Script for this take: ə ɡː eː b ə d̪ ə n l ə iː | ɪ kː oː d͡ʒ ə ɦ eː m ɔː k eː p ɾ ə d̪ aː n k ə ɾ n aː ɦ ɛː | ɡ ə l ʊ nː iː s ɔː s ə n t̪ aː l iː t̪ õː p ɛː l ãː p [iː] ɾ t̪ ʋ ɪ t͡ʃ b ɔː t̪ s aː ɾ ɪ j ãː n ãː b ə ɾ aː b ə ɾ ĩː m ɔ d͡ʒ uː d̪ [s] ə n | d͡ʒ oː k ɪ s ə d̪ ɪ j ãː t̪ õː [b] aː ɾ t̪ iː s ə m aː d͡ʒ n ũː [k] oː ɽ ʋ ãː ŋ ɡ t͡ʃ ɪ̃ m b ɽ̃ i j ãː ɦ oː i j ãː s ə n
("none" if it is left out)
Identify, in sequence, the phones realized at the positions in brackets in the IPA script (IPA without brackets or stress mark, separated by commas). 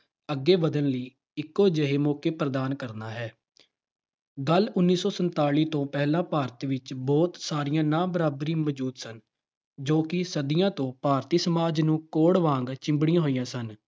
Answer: aː, s, p, k